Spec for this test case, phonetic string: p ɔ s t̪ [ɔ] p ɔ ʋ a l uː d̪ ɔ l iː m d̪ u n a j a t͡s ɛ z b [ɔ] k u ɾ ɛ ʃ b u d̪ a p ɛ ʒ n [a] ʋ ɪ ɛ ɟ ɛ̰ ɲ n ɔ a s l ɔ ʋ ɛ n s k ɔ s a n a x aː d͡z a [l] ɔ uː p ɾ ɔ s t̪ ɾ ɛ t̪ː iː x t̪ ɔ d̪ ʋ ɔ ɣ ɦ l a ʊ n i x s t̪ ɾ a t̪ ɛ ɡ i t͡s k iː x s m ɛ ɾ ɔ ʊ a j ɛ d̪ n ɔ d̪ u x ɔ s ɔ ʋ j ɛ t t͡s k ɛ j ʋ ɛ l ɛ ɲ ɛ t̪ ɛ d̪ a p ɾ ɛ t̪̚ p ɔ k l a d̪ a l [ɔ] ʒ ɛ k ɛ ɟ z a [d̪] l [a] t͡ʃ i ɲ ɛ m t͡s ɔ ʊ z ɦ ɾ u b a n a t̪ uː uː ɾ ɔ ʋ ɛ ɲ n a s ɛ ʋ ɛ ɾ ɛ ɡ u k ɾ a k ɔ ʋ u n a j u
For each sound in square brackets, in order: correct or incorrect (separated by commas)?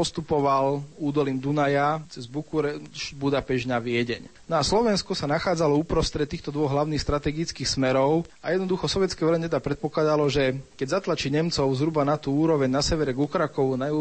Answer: incorrect, incorrect, correct, correct, correct, incorrect, correct